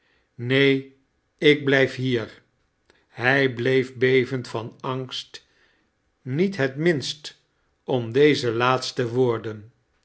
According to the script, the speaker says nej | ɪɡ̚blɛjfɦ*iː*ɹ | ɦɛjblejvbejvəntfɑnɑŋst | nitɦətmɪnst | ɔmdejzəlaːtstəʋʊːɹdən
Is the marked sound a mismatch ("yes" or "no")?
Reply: no